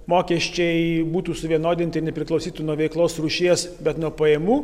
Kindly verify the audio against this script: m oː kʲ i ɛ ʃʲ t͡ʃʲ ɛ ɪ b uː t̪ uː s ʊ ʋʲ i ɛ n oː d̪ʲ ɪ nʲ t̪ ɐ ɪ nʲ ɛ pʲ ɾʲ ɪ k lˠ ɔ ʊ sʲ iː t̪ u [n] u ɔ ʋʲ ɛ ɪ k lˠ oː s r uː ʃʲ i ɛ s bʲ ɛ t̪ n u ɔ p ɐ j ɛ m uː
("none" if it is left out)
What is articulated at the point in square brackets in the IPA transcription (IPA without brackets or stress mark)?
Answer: n